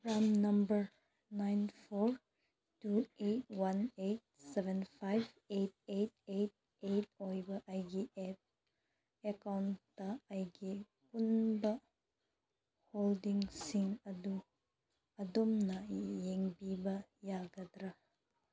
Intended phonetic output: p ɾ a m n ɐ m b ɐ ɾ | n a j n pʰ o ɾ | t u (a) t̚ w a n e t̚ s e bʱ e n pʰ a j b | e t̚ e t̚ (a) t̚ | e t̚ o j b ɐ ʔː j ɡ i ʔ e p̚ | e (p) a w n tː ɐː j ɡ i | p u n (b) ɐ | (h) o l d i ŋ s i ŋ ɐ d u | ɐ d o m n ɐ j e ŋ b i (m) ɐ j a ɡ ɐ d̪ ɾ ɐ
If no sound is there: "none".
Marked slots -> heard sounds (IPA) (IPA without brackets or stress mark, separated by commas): e, e, k, b, h, b